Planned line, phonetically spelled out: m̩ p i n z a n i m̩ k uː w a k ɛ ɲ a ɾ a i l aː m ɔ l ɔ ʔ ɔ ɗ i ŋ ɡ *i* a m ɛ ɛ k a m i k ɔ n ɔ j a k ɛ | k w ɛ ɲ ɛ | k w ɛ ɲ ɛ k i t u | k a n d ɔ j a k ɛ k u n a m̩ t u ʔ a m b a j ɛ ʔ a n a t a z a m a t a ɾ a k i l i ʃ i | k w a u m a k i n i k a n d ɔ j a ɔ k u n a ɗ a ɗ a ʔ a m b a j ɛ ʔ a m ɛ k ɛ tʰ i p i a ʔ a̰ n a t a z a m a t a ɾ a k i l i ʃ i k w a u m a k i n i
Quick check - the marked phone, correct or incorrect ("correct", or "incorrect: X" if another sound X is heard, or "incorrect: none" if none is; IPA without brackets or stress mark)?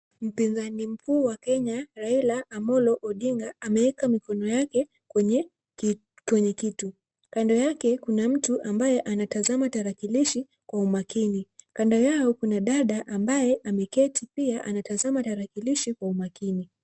incorrect: a